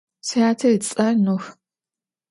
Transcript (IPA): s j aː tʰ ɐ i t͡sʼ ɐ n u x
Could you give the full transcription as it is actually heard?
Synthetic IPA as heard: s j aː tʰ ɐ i t͡sʼ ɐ n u x